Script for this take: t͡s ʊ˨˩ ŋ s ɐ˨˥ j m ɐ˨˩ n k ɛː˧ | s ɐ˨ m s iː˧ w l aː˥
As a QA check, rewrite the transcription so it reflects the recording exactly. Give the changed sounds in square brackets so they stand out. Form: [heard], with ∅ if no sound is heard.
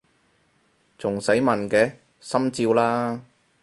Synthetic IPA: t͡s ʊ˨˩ ŋ s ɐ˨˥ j m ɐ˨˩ n k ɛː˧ | s [ɐ˥] m [t͡s] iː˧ w l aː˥

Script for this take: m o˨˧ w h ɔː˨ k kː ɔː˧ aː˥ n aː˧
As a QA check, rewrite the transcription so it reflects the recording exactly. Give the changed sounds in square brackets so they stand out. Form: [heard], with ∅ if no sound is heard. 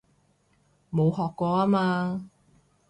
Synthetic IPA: m o˨˧ w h ɔː˨ k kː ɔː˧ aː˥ [m] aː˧

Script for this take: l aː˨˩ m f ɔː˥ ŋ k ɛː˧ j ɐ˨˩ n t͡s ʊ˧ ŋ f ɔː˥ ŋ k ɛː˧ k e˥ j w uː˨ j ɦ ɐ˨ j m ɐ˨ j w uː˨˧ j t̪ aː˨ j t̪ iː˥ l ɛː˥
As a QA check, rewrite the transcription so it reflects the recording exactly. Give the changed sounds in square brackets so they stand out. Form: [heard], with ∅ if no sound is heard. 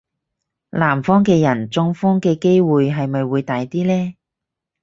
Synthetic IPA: l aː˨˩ m f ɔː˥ ŋ k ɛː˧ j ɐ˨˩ n t͡s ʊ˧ ŋ f ɔː˥ ŋ k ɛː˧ k e˥ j w uː˨ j ɦ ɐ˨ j m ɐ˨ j w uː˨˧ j t̪ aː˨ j t̪ iː˥ l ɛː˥

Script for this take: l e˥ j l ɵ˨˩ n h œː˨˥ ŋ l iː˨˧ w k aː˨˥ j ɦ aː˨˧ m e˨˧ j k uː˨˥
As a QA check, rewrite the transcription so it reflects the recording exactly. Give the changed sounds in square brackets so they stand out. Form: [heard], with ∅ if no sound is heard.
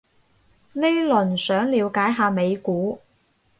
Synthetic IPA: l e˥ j l ɵ˨˩ n [s] œː˨˥ ŋ l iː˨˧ w k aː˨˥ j ɦ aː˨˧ m e˨˧ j k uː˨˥

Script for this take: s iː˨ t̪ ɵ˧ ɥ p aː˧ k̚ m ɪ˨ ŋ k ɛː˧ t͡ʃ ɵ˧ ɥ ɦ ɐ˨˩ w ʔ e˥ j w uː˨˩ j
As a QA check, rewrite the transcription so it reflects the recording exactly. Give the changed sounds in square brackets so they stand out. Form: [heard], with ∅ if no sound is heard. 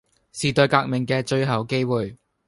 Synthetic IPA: s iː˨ t̪ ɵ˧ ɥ [k] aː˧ k̚ m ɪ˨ ŋ k ɛː˧ t͡ʃ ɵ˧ ɥ ɦ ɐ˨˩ w [k] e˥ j w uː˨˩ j

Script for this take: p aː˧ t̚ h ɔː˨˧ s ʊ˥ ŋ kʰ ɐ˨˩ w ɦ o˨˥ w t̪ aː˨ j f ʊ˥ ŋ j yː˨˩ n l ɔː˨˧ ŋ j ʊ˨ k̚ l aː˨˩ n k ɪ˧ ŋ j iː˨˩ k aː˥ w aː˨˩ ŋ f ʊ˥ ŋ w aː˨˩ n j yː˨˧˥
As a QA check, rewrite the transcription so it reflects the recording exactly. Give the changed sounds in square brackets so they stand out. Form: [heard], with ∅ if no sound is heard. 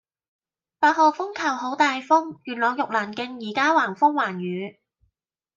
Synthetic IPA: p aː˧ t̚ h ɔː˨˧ [f] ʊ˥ ŋ kʰ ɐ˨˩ w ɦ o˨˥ w t̪ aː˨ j f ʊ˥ ŋ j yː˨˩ n l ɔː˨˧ ŋ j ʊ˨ k̚ l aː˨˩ n k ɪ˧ ŋ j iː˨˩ k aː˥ w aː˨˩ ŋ f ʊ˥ ŋ w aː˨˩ n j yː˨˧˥

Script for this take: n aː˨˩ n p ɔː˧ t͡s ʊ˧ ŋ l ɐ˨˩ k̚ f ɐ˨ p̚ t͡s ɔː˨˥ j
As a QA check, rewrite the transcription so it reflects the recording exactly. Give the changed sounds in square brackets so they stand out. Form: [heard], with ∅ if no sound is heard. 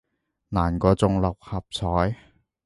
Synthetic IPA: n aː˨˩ n [k] ɔː˧ t͡s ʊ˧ ŋ l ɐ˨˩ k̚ [h] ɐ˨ p̚ [t͡sʰ] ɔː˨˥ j

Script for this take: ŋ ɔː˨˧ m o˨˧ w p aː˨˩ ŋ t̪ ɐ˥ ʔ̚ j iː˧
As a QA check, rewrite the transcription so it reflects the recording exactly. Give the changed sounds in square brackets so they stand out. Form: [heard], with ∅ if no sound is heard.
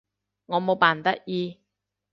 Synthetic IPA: ŋ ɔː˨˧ m o˨˧ w p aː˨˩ [n] t̪ ɐ˥ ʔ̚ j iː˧

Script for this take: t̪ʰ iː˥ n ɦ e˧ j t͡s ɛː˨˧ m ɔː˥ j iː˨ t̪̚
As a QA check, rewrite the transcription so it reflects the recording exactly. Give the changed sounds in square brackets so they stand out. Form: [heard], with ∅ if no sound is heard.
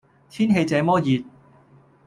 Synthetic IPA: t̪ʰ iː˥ n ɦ e˧ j t͡s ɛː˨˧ m ɔː˥ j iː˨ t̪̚

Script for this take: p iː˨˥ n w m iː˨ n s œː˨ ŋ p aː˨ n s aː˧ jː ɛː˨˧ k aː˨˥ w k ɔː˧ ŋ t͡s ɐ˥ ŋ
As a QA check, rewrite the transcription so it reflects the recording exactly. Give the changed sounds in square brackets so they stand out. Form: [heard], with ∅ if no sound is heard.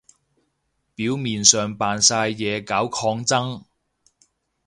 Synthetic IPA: p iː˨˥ [∅] w m iː˨ n s œː˨ ŋ p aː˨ n s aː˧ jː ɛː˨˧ k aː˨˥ w [kʰ] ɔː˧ ŋ t͡s ɐ˥ ŋ

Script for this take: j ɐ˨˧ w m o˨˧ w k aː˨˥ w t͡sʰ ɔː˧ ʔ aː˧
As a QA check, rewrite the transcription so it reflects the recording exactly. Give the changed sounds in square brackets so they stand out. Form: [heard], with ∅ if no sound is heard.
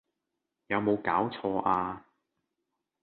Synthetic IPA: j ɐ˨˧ w m o˨˧ w k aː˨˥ w t͡sʰ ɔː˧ ʔ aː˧

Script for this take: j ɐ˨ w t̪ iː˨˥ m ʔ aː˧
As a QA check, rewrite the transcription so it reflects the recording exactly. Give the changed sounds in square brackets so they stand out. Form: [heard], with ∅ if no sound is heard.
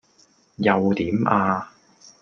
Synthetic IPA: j ɐ˨ w t̪ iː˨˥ m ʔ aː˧

